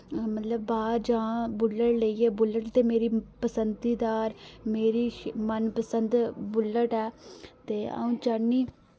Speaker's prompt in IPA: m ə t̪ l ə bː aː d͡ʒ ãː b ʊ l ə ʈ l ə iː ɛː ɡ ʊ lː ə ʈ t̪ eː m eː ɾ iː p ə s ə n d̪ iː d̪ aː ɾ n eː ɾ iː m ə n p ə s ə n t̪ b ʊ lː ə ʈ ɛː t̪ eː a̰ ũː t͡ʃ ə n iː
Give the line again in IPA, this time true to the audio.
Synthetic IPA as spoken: m ə t̪ l ə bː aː d͡ʒ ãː b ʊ l ə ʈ l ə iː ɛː b ʊ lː ə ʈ t̪ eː m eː ɾ iː p ə s ə n d̪ iː d̪ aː ɾ m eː ɾ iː m ə n p ə s ə n d̪ b ʊ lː ə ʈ ɛː t̪ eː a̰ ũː t͡ʃ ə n iː